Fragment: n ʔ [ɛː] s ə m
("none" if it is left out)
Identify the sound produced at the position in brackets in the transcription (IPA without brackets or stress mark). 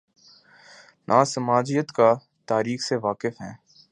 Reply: aː